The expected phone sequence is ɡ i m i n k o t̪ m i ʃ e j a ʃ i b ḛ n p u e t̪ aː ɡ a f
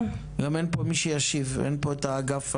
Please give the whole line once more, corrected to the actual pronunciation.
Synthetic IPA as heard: ɡ a m e n p o m i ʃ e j a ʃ i v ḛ n p o e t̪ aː ɡ a f